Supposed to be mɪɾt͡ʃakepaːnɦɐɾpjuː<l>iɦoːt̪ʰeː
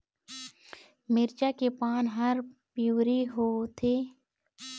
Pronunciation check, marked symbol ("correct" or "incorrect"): incorrect